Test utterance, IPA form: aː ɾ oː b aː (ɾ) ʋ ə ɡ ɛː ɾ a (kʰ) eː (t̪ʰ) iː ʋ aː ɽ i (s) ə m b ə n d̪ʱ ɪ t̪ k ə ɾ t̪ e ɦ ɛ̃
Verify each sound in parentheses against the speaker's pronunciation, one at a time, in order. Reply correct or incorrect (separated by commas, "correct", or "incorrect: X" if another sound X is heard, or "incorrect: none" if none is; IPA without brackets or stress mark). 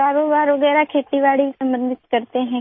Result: correct, correct, incorrect: t̪, correct